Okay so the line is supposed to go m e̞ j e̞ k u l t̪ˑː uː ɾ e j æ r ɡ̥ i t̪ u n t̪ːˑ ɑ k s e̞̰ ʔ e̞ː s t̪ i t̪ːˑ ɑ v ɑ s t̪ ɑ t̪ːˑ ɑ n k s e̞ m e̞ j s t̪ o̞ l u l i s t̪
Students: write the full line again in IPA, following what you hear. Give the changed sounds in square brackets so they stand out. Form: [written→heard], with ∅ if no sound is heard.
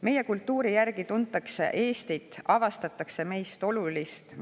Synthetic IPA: m e̞ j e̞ k u l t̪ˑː uː ɾ [e→i] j æ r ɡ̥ i t̪ u n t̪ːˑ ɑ k s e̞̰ ʔ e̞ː s t̪ i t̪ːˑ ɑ v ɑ s t̪ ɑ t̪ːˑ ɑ [n→∅] k s e̞ m e̞ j s t̪ o̞ l u l i s t̪